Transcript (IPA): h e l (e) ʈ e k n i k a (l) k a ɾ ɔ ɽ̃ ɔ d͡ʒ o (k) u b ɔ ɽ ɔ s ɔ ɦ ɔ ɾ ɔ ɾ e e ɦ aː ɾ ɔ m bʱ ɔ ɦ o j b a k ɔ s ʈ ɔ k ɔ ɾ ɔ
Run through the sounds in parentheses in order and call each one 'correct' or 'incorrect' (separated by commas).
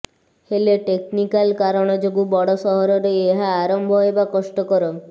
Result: correct, correct, incorrect